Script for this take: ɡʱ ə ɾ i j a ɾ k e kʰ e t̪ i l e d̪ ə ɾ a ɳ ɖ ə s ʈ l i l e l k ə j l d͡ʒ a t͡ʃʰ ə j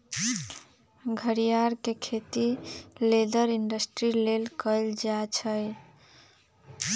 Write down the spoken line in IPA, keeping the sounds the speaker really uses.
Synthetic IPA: ɡʱ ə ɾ i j a ɾ k e kʰ e t̪ i l e d̪ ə ɾ i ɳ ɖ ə s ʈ ɾ i l e l k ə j l d͡ʒ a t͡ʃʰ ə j